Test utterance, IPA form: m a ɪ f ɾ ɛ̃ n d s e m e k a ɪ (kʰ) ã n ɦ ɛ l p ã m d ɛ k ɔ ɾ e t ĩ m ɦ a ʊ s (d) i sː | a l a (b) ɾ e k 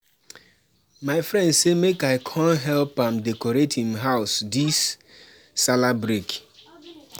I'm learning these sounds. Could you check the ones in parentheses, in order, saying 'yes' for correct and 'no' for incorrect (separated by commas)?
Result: yes, yes, yes